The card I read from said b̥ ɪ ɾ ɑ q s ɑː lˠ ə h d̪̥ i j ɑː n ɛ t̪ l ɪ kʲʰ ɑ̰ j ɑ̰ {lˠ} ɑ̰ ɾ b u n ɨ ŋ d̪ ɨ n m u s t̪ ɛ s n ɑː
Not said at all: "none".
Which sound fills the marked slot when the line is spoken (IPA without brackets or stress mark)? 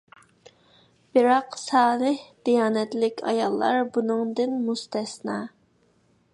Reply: lˠː